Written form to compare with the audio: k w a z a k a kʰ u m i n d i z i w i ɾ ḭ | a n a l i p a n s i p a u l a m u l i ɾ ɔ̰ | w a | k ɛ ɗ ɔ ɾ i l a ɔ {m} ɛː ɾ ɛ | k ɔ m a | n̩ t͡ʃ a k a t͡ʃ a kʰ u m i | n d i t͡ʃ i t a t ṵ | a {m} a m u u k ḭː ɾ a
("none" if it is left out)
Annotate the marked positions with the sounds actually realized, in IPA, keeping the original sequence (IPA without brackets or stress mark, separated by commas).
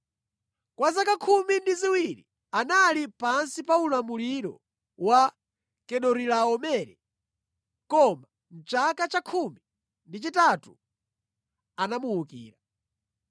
m, n